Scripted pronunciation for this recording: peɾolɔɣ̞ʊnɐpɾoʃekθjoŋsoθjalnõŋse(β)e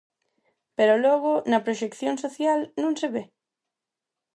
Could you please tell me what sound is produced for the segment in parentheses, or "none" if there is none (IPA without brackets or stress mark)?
β